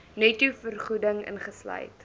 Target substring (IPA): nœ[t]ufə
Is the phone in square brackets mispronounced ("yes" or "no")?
no